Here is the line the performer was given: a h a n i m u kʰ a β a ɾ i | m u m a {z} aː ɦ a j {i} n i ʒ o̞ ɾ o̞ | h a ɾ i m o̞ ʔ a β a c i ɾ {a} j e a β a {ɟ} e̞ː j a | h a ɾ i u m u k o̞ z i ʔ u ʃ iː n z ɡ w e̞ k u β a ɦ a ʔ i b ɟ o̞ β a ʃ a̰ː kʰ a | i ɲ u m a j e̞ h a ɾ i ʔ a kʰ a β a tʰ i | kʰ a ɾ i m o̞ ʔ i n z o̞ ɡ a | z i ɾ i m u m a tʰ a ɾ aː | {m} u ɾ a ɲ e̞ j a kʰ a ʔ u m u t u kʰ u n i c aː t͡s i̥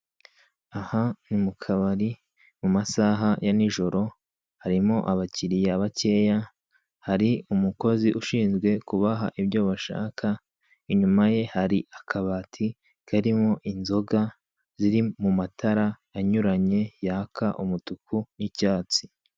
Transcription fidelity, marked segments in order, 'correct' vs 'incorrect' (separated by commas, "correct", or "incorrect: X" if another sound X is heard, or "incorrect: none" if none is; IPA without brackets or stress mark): incorrect: s, incorrect: a, incorrect: i, incorrect: c, incorrect: ɲ